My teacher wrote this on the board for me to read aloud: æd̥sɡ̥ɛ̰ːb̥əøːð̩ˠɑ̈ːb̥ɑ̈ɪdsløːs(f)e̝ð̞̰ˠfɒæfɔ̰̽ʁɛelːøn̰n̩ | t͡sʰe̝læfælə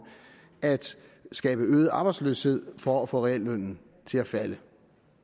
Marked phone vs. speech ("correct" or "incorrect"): incorrect